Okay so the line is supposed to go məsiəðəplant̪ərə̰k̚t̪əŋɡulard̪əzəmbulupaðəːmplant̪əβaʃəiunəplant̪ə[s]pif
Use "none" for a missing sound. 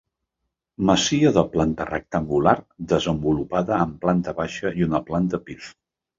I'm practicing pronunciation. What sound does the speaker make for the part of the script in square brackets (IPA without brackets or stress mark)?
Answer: none